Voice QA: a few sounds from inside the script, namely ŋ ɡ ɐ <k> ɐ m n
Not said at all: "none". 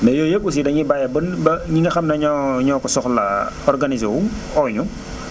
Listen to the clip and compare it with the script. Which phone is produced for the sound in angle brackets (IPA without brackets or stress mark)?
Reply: x